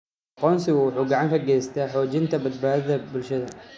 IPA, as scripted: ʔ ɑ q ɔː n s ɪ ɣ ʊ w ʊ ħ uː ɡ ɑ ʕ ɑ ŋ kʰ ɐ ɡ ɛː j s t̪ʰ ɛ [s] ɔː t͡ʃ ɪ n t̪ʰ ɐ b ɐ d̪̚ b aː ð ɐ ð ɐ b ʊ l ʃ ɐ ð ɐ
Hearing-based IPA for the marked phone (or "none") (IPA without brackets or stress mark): ħ